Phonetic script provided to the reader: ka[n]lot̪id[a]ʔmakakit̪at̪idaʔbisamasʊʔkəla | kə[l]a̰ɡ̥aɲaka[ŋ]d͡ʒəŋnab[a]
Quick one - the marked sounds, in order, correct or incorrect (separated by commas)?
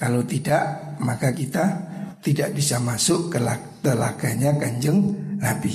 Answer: incorrect, correct, correct, incorrect, incorrect